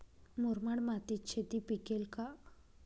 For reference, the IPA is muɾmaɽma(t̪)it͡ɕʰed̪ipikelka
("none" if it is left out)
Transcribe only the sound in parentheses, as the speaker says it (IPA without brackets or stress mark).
t̪